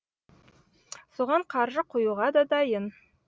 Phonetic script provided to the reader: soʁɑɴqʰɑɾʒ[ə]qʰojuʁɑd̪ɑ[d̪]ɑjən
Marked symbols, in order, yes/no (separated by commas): yes, yes